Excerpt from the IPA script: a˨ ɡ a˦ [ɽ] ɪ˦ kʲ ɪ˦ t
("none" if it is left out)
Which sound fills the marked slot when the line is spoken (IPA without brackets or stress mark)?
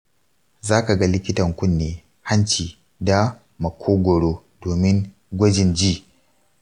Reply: l